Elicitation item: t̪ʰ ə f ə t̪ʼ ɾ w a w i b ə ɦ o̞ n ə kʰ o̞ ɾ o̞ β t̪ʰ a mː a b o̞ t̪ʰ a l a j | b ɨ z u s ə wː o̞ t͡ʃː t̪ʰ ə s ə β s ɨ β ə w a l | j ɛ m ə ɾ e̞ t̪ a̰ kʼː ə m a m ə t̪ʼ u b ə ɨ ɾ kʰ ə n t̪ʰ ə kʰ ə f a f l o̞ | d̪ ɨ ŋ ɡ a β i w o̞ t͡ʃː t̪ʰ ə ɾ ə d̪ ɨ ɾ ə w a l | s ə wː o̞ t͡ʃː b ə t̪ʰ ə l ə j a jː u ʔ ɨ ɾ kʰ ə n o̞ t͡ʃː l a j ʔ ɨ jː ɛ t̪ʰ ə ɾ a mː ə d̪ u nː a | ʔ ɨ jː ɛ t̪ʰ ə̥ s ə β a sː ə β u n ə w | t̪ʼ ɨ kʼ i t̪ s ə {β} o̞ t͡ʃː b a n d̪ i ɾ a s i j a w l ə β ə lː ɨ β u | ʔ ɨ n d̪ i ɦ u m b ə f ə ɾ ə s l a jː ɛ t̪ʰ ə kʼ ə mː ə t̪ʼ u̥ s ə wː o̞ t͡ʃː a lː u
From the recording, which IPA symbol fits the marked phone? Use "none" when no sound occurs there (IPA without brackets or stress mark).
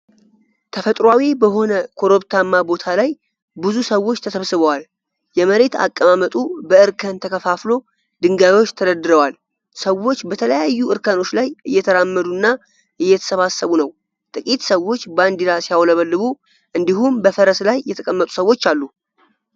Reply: w